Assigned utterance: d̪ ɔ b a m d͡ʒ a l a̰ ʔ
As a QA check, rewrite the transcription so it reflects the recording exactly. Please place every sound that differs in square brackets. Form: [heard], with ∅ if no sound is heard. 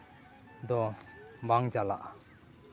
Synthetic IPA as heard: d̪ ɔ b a [ŋ] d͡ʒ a l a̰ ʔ

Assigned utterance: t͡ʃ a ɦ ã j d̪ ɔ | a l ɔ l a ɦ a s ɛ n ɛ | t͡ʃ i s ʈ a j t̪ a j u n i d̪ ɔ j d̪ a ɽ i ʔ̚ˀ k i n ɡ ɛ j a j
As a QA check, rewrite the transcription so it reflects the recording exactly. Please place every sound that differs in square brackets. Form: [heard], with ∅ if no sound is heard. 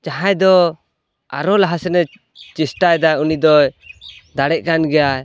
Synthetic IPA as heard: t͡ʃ a ɦ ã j d̪ ɔ | a [ɾ] ɔ l a ɦ a s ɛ n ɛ | t͡ʃ i s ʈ a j [d̪] a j u n i d̪ ɔ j d̪ a ɽ [ɛ] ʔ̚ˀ k [a] n ɡ ɛ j a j

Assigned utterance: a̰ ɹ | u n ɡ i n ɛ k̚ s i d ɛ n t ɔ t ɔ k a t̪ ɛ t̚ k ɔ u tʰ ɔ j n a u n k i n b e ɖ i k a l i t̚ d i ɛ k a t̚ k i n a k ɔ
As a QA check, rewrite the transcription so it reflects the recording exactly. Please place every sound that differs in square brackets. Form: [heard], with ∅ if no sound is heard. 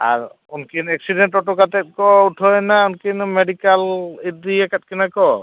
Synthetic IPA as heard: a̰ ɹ | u n [k] i n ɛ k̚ s i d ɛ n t ɔ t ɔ k a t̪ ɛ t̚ k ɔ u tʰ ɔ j n a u n k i n [m] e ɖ i k a l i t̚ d i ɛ k a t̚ k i n a k ɔ

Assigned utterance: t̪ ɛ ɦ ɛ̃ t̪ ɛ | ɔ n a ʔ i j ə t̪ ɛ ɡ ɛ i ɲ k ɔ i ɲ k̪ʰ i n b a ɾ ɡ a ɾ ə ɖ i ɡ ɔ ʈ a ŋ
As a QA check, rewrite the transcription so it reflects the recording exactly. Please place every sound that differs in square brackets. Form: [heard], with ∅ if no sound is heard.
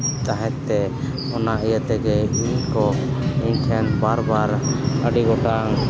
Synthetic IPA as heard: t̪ [a] ɦ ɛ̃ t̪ ɛ | ɔ n a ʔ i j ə t̪ ɛ ɡ ɛ i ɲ k ɔ i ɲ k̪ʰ [ɛ] n b a ɾ [b] a ɾ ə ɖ i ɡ ɔ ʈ a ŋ

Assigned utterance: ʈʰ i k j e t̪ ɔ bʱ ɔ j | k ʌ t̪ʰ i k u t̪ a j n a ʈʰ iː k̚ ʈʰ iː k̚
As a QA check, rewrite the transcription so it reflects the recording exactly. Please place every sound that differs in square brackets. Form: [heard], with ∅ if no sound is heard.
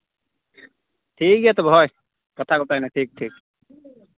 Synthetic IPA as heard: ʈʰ i k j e t̪ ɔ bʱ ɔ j | k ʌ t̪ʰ [a] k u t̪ a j n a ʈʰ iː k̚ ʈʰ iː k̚

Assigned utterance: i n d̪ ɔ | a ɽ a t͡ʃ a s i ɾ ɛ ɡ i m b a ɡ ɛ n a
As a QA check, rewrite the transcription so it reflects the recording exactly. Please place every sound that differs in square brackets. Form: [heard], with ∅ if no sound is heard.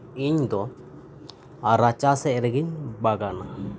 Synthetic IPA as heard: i [ɲ] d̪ ɔ | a [ɾ] a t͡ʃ a s [ɛ] ɾ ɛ ɡ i [ɲ] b a ɡ [a] n a

